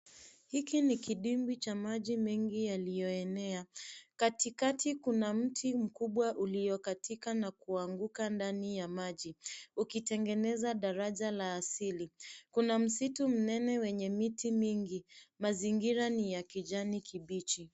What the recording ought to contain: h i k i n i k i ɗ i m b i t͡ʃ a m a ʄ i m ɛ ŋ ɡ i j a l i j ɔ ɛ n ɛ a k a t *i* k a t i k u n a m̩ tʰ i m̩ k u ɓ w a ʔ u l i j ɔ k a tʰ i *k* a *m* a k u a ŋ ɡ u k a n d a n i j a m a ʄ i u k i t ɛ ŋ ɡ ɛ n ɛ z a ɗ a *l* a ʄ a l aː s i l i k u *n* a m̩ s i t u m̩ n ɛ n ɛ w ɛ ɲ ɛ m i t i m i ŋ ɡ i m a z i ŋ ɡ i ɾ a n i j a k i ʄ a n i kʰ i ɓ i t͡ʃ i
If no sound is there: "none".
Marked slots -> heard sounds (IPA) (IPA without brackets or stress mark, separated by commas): i, k, n, ɾ, n